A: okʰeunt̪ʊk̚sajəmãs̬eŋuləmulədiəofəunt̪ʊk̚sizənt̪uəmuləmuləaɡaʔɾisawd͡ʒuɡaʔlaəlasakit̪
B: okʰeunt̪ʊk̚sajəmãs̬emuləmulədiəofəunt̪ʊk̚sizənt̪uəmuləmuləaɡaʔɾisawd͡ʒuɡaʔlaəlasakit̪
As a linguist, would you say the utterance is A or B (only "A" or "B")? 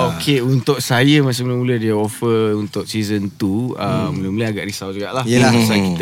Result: B